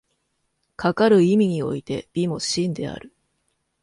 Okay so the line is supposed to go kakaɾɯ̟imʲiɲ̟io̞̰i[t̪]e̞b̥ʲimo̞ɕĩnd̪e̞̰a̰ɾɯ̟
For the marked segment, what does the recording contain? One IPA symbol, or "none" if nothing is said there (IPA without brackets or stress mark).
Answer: t̪